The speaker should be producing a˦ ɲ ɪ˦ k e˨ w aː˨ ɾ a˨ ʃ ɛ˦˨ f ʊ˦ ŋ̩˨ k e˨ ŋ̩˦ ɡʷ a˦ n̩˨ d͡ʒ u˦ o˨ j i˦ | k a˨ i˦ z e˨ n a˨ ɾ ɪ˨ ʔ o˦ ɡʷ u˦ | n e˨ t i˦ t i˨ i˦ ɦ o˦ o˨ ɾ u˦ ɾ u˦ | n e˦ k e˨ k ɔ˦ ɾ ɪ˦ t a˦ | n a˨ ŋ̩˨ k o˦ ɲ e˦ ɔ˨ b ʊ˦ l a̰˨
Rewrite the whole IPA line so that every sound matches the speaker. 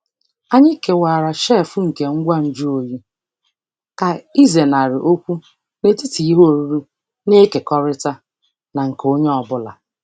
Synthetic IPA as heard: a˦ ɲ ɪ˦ k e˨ w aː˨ ɾ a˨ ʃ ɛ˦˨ f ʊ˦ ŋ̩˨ k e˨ ŋ̩˦ ɡʷ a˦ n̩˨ d͡ʒ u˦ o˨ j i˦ | k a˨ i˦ z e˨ n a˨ ɾ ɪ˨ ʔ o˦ kʷ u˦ | n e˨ t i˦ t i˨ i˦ ɦ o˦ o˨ ɾ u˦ ɾ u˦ | n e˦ k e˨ k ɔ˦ ɾ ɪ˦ t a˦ | n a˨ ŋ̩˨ k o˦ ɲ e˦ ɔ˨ b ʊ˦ l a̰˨